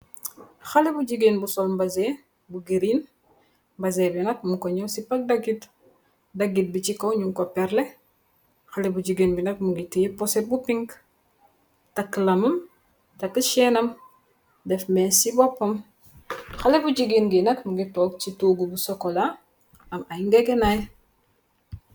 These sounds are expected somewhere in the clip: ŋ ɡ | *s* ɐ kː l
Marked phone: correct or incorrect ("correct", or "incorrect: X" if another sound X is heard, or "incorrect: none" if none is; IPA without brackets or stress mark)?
incorrect: t